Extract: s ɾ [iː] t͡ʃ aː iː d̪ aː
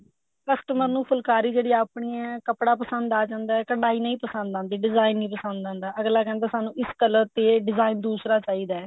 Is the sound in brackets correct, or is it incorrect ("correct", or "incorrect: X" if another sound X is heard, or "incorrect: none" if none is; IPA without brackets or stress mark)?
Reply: incorrect: aː